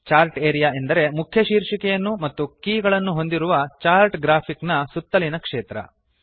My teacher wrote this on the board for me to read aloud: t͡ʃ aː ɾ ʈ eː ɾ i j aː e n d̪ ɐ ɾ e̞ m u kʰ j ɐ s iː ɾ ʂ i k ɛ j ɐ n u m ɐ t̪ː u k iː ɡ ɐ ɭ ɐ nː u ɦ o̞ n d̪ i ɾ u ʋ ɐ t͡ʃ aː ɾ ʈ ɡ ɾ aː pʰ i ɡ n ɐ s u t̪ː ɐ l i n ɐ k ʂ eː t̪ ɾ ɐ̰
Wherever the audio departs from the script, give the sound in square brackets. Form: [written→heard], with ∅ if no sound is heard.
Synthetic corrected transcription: t͡ʃ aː ɾ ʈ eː ɾ i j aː e n d̪ ɐ ɾ e̞ m u kʰ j ɐ [s→ʃ] iː ɾ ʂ i k ɛ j ɐ [n→nː] u m ɐ t̪ː u k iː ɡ ɐ ɭ ɐ nː u ɦ o̞ n d̪ i ɾ u ʋ ɐ t͡ʃ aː ɾ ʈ ɡ ɾ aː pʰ i [ɡ→k] n ɐ s u t̪ː ɐ l i n ɐ k ʂ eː t̪ ɾ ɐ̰